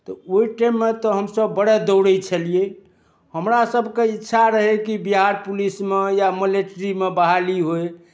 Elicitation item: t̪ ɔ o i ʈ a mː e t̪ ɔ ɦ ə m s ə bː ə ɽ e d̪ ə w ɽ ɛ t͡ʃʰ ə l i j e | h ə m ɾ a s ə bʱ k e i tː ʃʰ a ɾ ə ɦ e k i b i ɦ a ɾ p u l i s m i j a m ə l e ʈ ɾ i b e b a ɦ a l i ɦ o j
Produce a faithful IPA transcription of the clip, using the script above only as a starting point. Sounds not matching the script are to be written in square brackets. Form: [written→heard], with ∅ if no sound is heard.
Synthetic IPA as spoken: t̪ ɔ o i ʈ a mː e t̪ ɔ ɦ ə m s ə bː ə ɽ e d̪ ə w ɽ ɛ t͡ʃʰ ə l i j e | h ə m ɾ a s ə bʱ k e i tː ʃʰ a ɾ ə ɦ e k i b i ɦ a ɾ p u l i s m [i→e] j a m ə l e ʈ ɾ i [b→m] e b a ɦ a l i ɦ o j

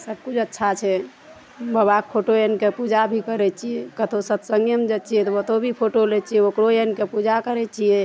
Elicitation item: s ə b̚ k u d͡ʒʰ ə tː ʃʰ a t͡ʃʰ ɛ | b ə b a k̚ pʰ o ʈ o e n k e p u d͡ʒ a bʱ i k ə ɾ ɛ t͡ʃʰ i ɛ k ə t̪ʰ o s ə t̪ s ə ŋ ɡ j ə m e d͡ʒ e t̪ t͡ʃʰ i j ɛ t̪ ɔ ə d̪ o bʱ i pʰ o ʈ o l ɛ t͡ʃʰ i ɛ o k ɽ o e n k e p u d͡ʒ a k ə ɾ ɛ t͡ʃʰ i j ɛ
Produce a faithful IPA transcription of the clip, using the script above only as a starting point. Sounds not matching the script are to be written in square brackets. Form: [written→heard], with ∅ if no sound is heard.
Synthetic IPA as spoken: s ə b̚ k u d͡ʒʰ ə tː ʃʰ a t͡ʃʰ ɛ | b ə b a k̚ pʰ o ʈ o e n k e p u d͡ʒ a bʱ i k ə ɾ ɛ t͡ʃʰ i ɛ k ə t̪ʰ o s ə t̪ s ə ŋ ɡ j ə m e d͡ʒ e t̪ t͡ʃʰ i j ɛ t̪ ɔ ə [d̪→t̪] o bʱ i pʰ o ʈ o l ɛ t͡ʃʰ i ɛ o k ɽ o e n k e p u d͡ʒ a k ə ɾ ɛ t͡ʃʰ i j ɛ

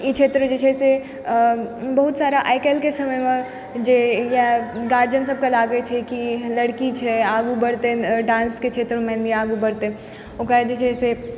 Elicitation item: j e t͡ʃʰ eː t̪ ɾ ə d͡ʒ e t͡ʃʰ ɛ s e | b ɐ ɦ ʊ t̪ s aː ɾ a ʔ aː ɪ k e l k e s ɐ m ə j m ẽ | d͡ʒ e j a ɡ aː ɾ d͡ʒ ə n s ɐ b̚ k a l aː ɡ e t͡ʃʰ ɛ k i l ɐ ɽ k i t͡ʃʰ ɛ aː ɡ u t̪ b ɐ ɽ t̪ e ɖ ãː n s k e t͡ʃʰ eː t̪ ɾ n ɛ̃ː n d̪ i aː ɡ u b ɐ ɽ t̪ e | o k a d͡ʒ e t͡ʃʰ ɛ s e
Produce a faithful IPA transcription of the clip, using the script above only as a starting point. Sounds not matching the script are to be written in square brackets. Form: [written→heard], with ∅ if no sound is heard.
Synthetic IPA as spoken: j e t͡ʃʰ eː t̪ ɾ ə d͡ʒ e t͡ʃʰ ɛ s e | b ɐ ɦ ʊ t̪ s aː ɾ a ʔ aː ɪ k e l k e s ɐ m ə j m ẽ | d͡ʒ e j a ɡ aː ɾ d͡ʒ ə n s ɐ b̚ k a l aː ɡ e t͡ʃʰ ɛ k i l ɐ ɽ k i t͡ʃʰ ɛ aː ɡ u [t̪→∅] b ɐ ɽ t̪ e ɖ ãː n s k e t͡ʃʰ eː t̪ ɾ [n→m] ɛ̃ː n d̪ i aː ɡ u b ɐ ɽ t̪ e | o k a d͡ʒ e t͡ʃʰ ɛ s e

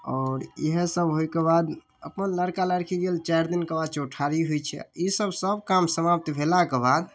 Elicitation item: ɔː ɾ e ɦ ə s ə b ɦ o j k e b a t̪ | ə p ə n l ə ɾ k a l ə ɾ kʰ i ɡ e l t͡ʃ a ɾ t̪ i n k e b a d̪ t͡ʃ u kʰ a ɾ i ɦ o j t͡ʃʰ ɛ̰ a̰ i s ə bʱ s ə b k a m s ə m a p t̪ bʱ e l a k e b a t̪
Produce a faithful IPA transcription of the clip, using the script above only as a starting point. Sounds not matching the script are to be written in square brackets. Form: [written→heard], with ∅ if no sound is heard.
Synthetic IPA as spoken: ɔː ɾ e ɦ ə s ə b ɦ o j k e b a [t̪→d̪] | ə p ə n l ə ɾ k a l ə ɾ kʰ i ɡ e l t͡ʃ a ɾ [t̪→d̪] i n k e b a d̪ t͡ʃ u [kʰ→ʈʰ] a ɾ i ɦ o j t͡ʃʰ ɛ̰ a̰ i s ə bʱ s ə b k a m s ə m a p t̪ bʱ e l a k e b a [t̪→d̪]

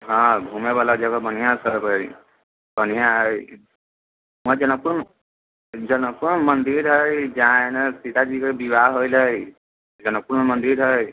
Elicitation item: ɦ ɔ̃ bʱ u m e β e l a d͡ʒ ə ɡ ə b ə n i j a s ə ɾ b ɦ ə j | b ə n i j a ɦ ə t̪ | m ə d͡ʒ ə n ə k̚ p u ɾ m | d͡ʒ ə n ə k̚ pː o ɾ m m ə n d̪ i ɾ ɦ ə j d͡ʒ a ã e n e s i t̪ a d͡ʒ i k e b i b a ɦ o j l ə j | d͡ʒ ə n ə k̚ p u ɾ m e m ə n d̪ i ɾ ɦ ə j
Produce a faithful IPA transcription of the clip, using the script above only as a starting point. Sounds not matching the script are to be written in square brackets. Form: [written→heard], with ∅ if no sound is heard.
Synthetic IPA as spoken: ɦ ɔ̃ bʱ u m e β [e→a] l a d͡ʒ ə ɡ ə b ə n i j a s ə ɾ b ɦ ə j | b ə n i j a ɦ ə [t̪→∅] | m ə d͡ʒ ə n ə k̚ p u ɾ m | d͡ʒ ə n ə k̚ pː [o→u] ɾ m m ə n d̪ i ɾ ɦ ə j d͡ʒ a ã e n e s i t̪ a d͡ʒ i k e b i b a ɦ o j l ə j | d͡ʒ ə n ə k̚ p u ɾ m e m ə n d̪ i ɾ ɦ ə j

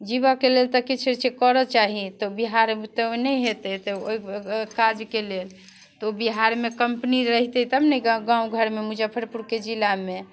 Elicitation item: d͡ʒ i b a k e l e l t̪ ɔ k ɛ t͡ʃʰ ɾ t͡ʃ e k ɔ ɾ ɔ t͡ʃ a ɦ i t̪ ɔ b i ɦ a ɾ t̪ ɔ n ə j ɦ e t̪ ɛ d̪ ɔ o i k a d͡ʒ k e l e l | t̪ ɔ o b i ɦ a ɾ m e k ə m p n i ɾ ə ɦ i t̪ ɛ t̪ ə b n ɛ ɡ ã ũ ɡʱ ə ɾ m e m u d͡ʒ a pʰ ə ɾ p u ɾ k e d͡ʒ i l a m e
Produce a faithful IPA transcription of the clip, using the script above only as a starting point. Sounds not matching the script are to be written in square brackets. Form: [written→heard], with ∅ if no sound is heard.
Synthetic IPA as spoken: d͡ʒ i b a k e l e l t̪ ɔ k [ɛ→i] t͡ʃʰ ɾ t͡ʃ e k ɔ ɾ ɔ t͡ʃ a ɦ i t̪ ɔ b i ɦ a ɾ t̪ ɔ n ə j ɦ e t̪ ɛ [d̪→t̪] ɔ o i k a d͡ʒ k e l e l | t̪ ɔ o b i ɦ a ɾ m e k ə m p n i ɾ ə ɦ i t̪ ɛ t̪ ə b n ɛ ɡ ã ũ ɡʱ ə ɾ m e m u d͡ʒ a pʰ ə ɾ p u ɾ k e d͡ʒ i l a m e

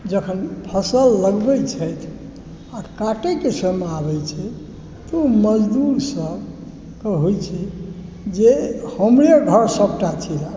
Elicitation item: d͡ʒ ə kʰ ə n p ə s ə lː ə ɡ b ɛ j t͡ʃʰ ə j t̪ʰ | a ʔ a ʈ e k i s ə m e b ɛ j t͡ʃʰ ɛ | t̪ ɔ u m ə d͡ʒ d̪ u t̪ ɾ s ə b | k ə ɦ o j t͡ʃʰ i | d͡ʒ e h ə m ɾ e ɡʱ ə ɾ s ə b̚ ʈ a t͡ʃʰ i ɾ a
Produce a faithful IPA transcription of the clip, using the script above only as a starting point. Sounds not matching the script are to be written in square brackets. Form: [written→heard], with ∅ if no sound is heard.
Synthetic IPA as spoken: d͡ʒ ə kʰ ə n [p→pʰ] ə s ə lː ə ɡ b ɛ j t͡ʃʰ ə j t̪ʰ | a [ʔ→k] a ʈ e k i s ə m [e→a] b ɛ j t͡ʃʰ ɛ | t̪ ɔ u m ə d͡ʒ d̪ u [t̪→∅] ɾ s ə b | k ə ɦ o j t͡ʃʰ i | d͡ʒ e h ə m ɾ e ɡʱ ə ɾ s ə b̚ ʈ a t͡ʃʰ i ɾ a

